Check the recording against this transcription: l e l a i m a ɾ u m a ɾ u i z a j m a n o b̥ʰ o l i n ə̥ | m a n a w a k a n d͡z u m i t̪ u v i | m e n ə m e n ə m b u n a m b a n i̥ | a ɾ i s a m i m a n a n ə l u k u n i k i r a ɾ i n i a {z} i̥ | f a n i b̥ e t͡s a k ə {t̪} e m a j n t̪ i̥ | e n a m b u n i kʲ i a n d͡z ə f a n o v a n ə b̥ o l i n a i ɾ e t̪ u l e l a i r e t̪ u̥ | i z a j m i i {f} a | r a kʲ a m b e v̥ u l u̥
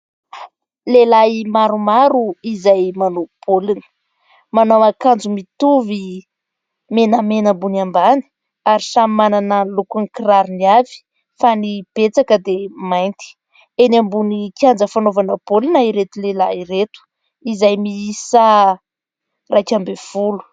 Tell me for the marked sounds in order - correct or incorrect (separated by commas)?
incorrect, incorrect, incorrect